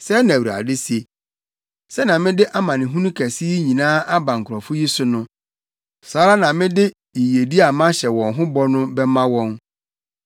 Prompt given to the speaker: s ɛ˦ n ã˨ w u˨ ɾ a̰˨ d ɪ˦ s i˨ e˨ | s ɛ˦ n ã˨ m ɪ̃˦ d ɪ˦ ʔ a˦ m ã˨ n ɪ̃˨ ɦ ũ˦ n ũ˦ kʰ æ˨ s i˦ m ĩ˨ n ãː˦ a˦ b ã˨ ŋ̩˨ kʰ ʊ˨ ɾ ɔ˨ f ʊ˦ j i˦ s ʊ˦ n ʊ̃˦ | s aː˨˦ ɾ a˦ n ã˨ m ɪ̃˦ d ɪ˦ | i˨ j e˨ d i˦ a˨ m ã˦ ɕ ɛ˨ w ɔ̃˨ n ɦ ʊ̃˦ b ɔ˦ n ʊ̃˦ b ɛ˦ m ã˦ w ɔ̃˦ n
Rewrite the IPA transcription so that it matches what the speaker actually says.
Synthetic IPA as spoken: s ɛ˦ n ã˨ w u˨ ɾ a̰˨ d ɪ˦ s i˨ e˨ | s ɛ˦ n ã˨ m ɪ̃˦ d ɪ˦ ʔ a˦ m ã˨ n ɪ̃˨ ɦ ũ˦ n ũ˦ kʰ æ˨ s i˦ ɲ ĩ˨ n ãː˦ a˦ b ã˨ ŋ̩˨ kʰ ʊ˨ ɾ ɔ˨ f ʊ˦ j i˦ s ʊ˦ n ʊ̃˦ | s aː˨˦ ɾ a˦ n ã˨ m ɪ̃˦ d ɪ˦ | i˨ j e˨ d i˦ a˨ m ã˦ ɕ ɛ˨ w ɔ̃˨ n ɦ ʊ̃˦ b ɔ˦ n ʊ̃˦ b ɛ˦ m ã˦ w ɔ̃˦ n